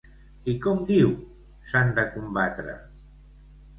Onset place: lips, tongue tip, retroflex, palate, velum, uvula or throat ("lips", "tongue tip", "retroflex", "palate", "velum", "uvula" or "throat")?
velum